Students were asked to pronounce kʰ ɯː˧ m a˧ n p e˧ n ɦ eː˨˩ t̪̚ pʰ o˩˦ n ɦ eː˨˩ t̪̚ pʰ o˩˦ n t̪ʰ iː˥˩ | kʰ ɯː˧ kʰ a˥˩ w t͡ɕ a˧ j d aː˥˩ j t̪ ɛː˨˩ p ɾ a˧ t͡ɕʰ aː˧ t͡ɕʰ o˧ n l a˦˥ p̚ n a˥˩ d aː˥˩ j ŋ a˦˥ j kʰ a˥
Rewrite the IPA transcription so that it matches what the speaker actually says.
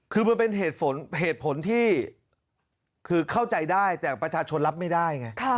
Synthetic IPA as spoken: kʰ ɯː˧ m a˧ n p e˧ n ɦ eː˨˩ t̪̚ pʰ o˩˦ n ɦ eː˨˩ t̪̚ pʰ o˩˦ n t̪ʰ iː˥˩ | kʰ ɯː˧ kʰ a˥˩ w t͡ɕ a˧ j d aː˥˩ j t̪ ɛː˨˩ p ɾ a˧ t͡ɕʰ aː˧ t͡ɕʰ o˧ n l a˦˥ p̚ m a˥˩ d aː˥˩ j ŋ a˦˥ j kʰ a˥

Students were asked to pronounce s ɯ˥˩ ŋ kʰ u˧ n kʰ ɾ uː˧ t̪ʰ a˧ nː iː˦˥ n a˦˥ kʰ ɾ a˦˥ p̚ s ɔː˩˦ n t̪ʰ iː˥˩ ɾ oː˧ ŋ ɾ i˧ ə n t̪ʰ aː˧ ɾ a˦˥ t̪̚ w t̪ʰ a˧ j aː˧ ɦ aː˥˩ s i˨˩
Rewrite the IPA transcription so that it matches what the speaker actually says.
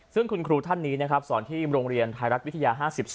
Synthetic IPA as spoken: s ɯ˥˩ ŋ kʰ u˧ n kʰ ɾ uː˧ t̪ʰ a˥˩ nː iː˦˥ n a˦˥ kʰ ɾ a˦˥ p̚ s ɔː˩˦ n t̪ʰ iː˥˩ ɾ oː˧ ŋ ɾ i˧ ə n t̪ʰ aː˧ ɾ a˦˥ t̪̚ w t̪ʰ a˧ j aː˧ ɦ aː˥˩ s i˨˩

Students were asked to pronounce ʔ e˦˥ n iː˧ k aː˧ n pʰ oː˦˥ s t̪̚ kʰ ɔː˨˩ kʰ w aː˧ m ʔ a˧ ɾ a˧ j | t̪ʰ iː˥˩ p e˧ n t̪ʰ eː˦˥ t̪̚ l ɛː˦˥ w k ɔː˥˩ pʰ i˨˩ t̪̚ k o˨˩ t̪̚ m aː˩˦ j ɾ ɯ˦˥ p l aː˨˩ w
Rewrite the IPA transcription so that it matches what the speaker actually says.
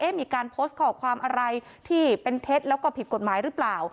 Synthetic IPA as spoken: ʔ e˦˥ m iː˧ k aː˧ n pʰ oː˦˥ s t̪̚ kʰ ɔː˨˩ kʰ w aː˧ m ʔ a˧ ɾ a˧ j | t̪ʰ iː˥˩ p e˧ n t̪ʰ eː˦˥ t̪̚ l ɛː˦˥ w k ɔː˥˩ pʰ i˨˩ t̪̚ k o˨˩ t̪̚ m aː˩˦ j ɾ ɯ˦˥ p l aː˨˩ w

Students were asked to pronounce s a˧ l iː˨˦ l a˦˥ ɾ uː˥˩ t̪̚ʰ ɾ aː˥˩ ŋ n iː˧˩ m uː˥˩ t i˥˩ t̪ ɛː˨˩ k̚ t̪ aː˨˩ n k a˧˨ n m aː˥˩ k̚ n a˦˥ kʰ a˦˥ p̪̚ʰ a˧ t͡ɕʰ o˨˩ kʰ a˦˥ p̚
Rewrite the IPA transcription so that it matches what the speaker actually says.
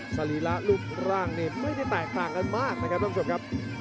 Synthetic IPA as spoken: s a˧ l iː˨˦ l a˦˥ l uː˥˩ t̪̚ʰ ɾ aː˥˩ ŋ n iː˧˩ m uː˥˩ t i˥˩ t̪ ɛː˨˩ k̚ t̪ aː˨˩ ŋ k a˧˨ n m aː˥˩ k̚ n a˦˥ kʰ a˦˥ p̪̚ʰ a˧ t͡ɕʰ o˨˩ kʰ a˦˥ p̚

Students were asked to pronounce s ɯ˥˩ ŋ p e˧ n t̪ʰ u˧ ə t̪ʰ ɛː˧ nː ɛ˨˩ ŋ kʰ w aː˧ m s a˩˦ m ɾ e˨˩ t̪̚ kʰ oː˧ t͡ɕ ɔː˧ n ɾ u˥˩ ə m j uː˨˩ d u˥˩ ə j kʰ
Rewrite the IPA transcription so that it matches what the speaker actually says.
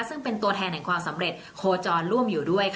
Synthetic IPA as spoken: s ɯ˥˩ ŋ p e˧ n t̪ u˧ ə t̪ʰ ɛː˧ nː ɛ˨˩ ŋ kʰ w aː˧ m s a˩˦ m ɾ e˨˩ t̪̚ kʰ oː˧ t͡ɕ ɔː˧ n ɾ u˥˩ ə m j uː˨˩ d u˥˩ ə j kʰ

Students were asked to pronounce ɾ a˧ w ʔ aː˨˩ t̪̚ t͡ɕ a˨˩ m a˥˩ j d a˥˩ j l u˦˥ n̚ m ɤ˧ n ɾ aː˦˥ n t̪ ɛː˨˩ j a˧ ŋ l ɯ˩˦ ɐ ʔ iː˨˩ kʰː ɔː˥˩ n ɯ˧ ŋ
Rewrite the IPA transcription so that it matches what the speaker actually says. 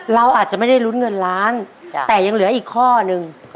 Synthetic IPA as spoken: ɾ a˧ w ʔ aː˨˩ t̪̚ t͡ɕ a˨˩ m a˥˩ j d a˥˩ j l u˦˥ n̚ ŋ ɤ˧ n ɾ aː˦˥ n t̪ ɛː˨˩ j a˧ ŋ l ɯ˩˦ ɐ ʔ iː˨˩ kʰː ɔː˥˩ n ɯ˧ ŋ

